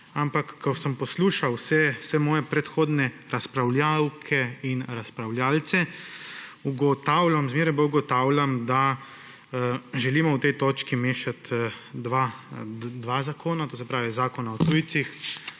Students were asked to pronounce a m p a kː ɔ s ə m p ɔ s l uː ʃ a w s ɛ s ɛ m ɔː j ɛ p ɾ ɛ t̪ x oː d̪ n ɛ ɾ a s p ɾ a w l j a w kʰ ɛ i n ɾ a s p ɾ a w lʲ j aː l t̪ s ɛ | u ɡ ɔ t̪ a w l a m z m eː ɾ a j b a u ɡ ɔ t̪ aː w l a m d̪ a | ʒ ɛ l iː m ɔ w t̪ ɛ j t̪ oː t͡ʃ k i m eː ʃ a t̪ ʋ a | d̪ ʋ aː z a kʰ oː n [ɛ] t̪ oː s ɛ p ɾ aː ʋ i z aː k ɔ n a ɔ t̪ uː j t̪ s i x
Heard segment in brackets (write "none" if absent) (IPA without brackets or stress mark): a